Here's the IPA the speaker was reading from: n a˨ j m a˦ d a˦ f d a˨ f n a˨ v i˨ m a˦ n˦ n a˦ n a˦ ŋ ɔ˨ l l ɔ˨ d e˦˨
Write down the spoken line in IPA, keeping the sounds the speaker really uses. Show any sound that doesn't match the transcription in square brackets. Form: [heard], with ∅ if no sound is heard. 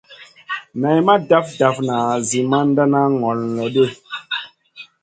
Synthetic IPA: n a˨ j m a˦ d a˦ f d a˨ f n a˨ [z] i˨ m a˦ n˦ [d] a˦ n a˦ ŋ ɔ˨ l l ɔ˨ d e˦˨